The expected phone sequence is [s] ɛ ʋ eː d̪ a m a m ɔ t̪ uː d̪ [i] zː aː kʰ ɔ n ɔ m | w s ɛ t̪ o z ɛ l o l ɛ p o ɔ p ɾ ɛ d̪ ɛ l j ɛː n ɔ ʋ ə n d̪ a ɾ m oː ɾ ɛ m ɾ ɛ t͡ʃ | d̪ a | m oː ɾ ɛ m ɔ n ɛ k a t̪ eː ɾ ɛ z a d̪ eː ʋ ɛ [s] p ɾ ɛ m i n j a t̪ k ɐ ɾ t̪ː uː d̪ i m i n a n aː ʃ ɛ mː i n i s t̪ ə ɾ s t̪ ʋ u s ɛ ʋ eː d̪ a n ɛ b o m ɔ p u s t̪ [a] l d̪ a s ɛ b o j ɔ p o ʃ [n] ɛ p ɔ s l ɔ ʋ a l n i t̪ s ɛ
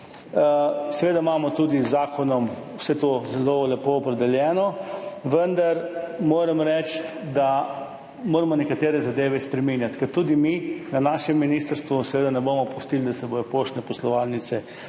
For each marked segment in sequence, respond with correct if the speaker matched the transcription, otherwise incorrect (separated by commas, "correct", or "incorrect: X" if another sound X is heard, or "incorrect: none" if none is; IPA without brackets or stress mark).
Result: correct, correct, correct, incorrect: i, correct